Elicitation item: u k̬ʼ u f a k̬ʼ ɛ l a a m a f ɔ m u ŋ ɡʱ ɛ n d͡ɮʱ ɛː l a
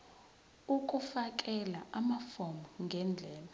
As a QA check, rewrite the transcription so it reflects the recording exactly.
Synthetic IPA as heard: u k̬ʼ u f a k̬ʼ ɛ l a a m a f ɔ m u ŋ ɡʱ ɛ n d͡ɮʱ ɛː l a